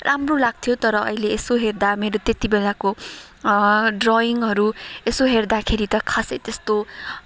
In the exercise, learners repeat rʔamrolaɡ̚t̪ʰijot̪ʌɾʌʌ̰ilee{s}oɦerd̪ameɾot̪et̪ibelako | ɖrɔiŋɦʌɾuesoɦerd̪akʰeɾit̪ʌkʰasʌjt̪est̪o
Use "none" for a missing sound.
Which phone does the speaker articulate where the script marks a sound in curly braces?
s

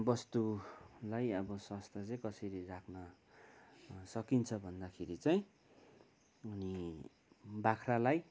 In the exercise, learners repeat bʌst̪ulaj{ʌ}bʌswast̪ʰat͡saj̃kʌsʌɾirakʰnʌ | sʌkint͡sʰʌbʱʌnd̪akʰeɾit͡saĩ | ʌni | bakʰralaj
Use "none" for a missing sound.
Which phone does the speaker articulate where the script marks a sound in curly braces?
ʌ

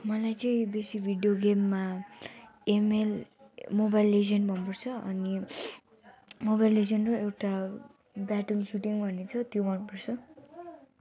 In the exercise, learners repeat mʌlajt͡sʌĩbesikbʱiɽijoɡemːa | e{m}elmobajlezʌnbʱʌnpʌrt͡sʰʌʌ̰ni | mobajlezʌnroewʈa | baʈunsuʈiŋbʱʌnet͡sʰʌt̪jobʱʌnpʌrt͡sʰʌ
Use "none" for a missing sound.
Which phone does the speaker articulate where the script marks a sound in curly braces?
m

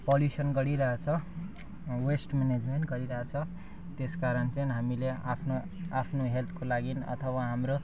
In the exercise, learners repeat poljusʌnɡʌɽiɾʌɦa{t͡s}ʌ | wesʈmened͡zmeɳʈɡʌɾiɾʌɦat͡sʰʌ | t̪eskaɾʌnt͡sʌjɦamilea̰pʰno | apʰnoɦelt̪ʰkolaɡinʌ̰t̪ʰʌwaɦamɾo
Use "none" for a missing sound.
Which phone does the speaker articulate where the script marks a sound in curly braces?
t͡sʰ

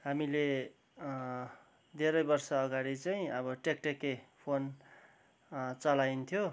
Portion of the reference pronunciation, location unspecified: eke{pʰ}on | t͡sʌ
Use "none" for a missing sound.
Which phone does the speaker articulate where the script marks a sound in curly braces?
pʰ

